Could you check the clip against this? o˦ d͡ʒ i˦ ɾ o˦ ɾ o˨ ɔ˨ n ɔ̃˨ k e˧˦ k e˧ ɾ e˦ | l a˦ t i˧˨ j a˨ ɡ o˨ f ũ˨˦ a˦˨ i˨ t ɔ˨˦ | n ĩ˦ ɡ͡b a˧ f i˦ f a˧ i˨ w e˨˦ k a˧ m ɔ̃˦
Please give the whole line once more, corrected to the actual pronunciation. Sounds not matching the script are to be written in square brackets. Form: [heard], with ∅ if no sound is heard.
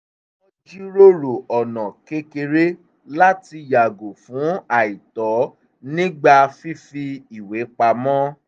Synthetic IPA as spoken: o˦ d͡ʒ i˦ ɾ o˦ ɾ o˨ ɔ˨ n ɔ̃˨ k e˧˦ k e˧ ɾ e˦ | l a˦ t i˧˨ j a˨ ɡ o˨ f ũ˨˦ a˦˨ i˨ t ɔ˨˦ | n ĩ˦ ɡ͡b a˧ f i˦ f [i˧] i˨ w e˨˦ [k͡p] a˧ m ɔ̃˦